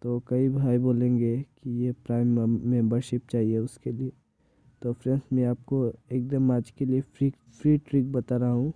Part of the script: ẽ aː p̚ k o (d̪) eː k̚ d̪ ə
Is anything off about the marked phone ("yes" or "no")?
yes